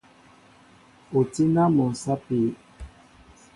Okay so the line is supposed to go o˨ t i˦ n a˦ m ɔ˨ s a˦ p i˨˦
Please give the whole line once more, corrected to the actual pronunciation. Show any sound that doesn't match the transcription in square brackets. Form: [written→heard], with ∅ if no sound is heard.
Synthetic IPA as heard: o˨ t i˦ n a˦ m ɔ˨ s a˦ p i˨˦